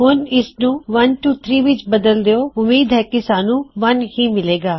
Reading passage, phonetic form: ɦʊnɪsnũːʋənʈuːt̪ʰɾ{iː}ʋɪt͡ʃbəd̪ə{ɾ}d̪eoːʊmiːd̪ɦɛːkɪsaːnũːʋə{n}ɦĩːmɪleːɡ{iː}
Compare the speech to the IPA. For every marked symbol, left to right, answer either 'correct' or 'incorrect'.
correct, incorrect: l, correct, incorrect: aː

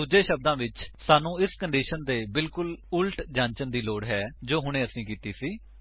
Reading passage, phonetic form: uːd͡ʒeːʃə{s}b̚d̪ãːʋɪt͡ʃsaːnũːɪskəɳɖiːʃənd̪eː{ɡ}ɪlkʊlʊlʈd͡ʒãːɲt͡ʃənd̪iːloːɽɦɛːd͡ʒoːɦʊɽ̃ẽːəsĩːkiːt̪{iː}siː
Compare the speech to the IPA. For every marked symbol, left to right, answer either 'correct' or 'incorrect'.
incorrect: none, incorrect: b, correct

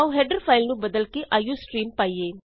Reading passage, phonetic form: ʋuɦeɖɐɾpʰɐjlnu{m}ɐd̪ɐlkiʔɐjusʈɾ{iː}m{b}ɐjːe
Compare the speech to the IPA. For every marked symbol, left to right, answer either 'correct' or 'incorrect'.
incorrect: b, correct, incorrect: p

